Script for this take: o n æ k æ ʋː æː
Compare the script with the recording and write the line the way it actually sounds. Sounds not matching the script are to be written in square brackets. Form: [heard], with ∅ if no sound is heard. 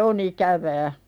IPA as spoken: o n [i] k æ [ʋ] æː